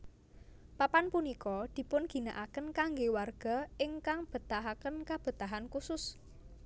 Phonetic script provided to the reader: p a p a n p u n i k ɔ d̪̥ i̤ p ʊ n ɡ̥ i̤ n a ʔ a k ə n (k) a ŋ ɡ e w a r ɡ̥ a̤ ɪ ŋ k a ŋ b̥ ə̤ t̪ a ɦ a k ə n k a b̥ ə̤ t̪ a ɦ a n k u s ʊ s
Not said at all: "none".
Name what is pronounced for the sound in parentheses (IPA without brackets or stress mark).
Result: k